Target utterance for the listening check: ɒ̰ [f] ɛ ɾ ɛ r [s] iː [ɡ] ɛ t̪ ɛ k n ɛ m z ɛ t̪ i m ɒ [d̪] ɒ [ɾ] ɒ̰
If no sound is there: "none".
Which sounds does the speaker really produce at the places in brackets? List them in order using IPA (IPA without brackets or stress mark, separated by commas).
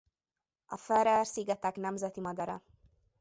f, s, ɡ, d̪, ɾ